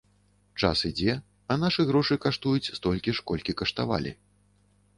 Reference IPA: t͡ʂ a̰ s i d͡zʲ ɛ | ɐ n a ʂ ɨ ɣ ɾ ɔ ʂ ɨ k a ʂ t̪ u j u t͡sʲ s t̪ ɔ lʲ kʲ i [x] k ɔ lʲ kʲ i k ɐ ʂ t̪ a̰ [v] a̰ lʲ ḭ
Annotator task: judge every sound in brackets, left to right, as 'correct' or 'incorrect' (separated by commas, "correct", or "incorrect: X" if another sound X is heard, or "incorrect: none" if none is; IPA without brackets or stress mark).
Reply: incorrect: ʂ, correct